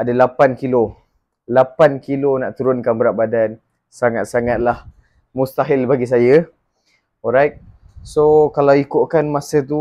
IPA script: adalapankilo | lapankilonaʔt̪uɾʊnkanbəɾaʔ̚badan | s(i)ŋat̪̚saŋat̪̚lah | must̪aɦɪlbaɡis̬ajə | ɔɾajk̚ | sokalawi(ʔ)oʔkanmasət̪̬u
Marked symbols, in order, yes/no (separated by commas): no, no